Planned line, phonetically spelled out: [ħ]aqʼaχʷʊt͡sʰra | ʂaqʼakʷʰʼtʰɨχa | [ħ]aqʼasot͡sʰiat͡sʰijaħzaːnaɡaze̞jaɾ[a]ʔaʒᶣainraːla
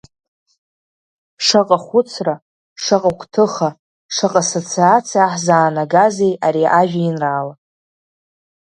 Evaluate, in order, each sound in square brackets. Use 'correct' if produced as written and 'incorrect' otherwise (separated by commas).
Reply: incorrect, incorrect, incorrect